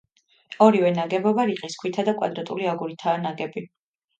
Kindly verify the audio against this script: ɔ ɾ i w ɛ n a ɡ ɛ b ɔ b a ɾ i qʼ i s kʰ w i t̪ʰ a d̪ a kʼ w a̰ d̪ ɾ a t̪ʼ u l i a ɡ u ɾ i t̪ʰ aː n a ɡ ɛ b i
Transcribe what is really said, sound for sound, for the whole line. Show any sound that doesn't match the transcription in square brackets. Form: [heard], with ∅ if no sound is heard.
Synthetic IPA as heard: ɔ ɾ i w ɛ n a ɡ ɛ b ɔ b a ɾ i qʼ i s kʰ w i t̪ʰ a d̪ a kʼ w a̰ d̪ ɾ a t̪ʼ u l i a ɡ u ɾ i t̪ʰ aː n a ɡ ɛ b i